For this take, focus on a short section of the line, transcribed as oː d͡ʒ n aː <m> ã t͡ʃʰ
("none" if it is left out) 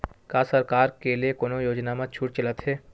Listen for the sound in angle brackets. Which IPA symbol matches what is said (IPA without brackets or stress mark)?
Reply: m